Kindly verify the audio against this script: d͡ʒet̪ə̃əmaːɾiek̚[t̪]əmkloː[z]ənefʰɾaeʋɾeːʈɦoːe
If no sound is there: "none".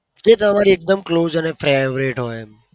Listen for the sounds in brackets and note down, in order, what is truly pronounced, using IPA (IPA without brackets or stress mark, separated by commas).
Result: d̪, z